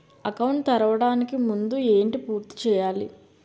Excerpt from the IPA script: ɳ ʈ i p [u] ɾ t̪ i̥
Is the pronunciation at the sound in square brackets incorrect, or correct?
incorrect